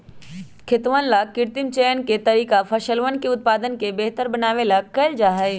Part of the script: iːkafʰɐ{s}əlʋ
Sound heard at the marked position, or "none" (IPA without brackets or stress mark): ʃ